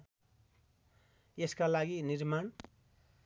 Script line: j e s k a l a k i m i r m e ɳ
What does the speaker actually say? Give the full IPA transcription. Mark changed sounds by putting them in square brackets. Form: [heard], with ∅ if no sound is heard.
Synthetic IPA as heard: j e s k a l a [ɡ] i [n] i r m [a] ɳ